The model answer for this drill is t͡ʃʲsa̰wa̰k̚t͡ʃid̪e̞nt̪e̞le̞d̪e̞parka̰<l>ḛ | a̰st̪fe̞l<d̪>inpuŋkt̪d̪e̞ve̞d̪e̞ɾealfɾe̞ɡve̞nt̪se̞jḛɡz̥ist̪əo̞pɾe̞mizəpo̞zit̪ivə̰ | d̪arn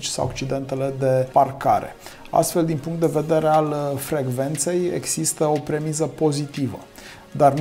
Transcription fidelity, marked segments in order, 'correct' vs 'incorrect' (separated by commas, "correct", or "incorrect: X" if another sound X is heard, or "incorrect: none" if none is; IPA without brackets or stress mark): incorrect: ɾ, correct